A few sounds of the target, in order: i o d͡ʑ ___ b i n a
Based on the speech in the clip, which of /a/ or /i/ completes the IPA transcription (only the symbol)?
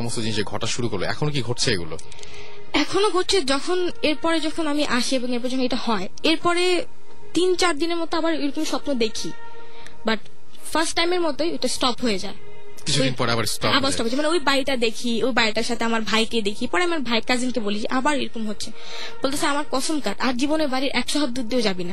a